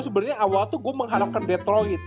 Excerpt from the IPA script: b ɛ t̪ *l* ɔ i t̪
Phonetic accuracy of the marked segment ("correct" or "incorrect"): incorrect